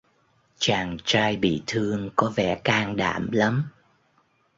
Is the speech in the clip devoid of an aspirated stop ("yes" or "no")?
no